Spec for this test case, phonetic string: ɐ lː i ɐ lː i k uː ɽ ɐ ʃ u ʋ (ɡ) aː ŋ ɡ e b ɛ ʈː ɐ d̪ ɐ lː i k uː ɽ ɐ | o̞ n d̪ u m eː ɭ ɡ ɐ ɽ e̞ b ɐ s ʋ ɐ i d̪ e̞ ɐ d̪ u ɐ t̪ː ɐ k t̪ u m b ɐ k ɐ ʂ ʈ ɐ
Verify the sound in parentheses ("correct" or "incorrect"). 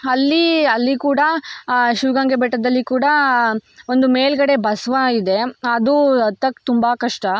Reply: correct